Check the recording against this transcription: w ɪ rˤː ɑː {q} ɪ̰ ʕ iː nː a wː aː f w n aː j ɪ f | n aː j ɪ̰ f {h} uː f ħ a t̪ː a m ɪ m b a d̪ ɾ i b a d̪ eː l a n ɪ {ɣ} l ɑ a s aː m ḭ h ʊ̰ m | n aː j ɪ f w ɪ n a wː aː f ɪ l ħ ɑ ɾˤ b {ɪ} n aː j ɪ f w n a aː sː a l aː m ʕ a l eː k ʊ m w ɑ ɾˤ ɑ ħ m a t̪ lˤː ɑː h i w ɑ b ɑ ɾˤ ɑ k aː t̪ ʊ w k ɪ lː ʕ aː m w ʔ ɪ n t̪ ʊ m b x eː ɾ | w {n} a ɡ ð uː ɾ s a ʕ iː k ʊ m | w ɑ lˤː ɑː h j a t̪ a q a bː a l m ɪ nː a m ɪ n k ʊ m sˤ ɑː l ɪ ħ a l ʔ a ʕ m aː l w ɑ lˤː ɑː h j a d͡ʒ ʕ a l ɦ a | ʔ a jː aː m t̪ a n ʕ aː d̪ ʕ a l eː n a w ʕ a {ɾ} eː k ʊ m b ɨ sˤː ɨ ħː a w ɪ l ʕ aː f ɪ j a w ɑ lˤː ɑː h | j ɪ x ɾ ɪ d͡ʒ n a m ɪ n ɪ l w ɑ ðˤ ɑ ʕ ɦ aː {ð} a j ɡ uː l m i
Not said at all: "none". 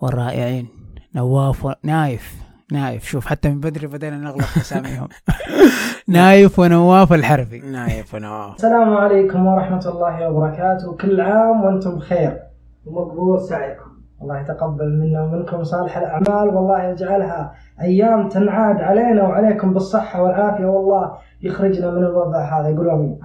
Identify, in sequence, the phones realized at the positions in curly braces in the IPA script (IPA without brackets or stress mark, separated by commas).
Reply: ʔ, ʃ, ɣ, i, m, l, ð